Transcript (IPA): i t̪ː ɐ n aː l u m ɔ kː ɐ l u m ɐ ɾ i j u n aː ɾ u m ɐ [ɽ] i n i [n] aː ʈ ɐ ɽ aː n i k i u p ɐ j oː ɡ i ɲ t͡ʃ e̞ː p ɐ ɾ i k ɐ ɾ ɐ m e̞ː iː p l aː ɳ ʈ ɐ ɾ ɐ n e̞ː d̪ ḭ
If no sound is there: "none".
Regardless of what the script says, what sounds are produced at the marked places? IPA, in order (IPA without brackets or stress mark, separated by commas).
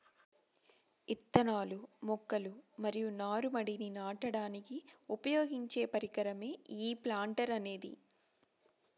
ɽ, n